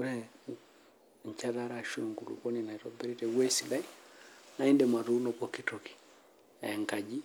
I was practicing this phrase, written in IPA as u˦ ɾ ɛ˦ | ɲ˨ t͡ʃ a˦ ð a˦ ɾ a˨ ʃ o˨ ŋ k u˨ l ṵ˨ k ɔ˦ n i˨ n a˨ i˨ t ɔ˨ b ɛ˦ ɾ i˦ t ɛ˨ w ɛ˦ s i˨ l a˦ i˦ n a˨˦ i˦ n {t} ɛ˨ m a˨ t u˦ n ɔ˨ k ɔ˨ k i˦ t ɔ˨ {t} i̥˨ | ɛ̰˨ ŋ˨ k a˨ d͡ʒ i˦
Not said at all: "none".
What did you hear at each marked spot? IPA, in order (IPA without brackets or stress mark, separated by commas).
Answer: d, k